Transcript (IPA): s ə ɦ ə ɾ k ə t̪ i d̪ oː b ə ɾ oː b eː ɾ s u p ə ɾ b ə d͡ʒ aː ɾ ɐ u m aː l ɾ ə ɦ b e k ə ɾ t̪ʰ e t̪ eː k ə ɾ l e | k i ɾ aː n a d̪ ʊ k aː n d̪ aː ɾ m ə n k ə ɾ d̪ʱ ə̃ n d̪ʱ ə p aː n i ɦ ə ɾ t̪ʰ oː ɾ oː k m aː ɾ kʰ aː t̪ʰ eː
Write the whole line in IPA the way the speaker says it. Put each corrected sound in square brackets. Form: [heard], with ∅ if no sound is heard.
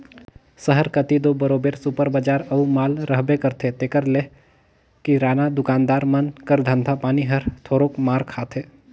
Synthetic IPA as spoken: s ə ɦ ə ɾ k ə t̪ i d̪ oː b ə ɾ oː b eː ɾ s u p ə ɾ b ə d͡ʒ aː ɾ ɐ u m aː l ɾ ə ɦ b e k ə ɾ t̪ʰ e t̪ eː k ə ɾ l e | k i ɾ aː n a d̪ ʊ k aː n d̪ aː ɾ m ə n k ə ɾ d̪ʱ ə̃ n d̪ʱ [a] p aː n i ɦ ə ɾ t̪ʰ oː ɾ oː k m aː ɾ kʰ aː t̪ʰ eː